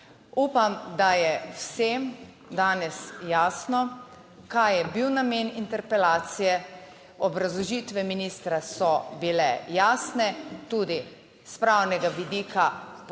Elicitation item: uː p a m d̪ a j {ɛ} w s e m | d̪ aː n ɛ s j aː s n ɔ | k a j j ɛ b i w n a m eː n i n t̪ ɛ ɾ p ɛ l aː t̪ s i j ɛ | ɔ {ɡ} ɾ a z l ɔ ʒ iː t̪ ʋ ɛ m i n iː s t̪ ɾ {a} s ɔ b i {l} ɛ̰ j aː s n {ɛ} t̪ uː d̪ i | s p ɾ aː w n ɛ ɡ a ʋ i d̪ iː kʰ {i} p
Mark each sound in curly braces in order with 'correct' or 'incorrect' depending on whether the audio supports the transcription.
correct, incorrect: b, correct, correct, correct, incorrect: a

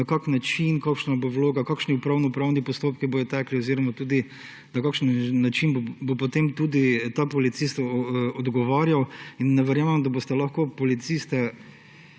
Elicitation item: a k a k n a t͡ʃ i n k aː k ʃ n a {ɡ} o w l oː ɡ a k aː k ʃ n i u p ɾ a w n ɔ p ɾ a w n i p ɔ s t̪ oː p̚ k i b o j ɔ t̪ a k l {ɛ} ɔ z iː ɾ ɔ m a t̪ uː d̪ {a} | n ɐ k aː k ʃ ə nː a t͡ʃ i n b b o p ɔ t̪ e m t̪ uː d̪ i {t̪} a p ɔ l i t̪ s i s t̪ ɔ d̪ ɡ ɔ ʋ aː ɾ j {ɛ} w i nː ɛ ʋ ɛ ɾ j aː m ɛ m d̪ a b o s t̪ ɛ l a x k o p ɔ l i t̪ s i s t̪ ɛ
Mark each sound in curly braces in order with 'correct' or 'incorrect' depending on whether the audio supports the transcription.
incorrect: b, incorrect: i, incorrect: i, correct, incorrect: a

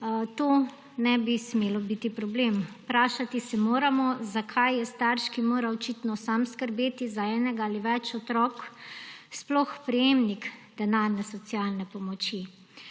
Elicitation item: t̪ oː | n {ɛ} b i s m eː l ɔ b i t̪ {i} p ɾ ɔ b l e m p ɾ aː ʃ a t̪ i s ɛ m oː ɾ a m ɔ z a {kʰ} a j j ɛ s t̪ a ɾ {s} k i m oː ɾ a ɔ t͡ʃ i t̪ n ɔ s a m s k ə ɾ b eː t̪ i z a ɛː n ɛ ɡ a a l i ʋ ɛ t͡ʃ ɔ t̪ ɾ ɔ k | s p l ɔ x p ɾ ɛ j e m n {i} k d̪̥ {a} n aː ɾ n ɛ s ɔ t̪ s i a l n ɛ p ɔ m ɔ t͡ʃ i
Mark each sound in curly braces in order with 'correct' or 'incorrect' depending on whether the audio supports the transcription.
correct, correct, correct, incorrect: ʃ, correct, incorrect: ɛ

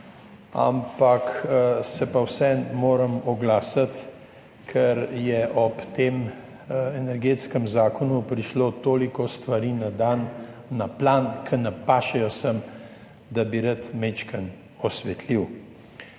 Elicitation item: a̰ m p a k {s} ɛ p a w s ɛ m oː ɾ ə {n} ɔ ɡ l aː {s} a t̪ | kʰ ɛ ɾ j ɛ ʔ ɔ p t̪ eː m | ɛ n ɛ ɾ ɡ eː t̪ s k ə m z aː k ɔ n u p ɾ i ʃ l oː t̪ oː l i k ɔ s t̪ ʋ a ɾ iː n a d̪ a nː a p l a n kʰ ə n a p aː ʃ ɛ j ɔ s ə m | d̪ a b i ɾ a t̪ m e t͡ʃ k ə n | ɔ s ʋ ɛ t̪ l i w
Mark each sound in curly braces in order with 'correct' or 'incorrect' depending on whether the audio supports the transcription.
correct, incorrect: m, correct

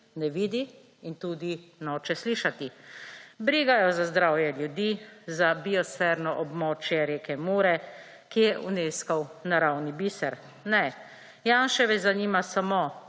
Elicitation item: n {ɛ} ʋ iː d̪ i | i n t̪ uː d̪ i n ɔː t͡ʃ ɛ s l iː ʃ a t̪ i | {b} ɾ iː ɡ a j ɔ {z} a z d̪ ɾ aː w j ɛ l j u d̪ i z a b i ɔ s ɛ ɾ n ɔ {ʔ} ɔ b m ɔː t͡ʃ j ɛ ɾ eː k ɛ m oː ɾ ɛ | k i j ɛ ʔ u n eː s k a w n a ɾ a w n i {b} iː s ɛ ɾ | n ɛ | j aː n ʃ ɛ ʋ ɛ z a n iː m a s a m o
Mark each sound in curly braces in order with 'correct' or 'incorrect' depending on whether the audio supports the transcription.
correct, correct, correct, correct, correct

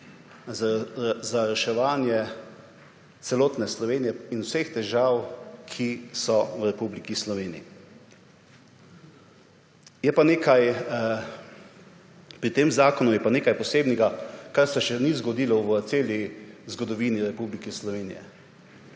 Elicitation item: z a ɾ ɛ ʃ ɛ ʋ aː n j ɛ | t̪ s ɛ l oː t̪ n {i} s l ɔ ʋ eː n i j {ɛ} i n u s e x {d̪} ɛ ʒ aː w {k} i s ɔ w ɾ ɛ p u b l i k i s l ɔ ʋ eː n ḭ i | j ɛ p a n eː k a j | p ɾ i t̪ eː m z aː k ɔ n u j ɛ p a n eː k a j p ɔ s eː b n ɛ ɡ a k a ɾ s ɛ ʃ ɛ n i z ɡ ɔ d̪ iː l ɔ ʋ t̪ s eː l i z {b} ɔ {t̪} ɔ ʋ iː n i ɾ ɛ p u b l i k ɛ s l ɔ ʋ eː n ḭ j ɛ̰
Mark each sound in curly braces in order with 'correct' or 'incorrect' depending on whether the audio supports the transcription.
incorrect: ɛ, correct, incorrect: t̪, incorrect: kʰ, incorrect: ɡ, incorrect: d̪

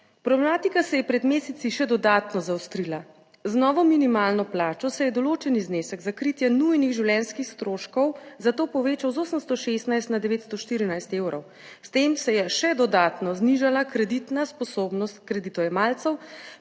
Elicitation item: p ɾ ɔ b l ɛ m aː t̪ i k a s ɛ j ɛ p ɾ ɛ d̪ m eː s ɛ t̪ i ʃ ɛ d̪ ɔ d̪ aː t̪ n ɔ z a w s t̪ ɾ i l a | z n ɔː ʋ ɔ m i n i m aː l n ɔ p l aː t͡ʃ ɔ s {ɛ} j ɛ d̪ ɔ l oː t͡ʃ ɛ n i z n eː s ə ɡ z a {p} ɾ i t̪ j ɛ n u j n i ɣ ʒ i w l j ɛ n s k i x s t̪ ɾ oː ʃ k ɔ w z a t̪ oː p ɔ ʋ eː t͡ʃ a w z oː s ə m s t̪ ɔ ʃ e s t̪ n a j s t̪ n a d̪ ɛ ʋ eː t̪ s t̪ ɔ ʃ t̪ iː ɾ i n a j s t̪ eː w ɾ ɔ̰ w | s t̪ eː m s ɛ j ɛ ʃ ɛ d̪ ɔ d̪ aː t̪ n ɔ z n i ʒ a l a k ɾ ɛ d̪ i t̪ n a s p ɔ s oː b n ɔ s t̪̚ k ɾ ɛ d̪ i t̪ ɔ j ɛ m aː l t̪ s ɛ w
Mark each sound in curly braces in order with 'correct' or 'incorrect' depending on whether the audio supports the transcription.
correct, incorrect: k

